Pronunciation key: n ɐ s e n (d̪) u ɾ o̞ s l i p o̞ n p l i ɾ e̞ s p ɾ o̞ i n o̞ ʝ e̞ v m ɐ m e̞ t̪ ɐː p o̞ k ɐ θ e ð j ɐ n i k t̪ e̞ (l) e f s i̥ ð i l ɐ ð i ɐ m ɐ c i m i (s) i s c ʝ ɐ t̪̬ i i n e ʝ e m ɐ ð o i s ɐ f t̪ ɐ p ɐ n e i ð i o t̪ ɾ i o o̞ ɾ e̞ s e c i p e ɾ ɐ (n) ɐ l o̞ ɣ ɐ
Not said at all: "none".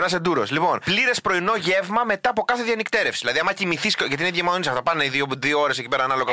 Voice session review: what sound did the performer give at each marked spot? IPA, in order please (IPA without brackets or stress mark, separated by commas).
d̪, ɾ, θ, n